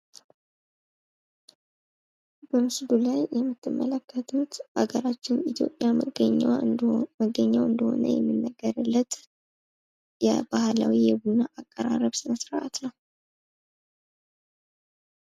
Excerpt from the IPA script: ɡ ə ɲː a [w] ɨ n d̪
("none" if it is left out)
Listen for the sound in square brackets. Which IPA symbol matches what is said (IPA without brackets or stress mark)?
w